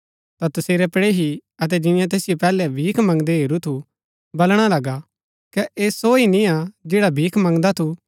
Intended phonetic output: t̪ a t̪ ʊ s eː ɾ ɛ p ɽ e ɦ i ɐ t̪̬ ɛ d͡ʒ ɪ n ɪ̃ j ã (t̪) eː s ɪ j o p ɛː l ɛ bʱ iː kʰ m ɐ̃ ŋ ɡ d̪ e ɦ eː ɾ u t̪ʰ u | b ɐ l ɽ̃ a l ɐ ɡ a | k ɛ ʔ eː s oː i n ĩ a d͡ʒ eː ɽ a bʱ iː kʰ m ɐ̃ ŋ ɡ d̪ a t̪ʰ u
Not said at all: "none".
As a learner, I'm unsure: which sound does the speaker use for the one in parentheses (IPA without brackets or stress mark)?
t̪